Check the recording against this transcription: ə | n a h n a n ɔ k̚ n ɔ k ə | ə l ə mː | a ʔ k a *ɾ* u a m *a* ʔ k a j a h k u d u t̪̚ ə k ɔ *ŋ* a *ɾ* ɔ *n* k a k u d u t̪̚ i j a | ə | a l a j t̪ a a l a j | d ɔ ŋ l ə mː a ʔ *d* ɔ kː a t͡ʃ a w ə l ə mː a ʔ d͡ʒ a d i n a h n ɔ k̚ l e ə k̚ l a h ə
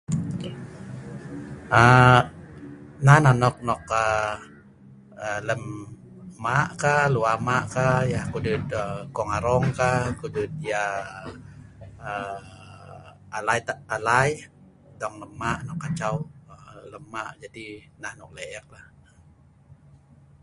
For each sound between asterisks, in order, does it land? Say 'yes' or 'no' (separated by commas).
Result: no, yes, yes, yes, no, no